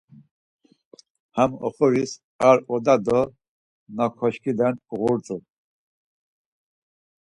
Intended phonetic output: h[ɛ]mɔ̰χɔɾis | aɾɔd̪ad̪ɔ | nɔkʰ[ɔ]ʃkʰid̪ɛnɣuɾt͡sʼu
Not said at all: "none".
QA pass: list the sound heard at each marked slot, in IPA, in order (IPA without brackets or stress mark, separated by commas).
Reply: a, ɔ